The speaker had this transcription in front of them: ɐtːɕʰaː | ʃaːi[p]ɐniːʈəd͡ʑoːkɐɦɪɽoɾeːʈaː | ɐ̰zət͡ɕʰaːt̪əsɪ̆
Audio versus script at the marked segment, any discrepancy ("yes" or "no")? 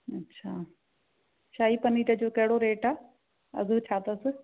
no